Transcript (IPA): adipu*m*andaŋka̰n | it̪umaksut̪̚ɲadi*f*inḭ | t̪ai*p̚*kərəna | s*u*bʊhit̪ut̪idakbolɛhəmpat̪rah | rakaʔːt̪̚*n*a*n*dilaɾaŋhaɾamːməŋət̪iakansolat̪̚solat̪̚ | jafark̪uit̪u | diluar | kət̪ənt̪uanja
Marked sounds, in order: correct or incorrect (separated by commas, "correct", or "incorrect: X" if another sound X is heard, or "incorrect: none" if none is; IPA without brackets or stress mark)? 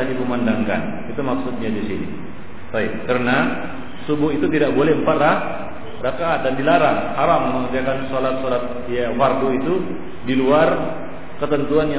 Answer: correct, incorrect: s, correct, correct, incorrect: d, correct